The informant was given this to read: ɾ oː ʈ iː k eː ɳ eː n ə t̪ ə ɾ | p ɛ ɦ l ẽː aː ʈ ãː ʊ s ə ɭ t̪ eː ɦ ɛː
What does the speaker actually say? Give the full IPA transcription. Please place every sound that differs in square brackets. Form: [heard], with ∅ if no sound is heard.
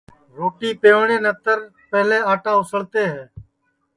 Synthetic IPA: ɾ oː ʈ iː [p] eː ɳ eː n ə t̪ ə ɾ | p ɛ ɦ l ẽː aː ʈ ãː ʊ s ə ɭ t̪ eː ɦ ɛː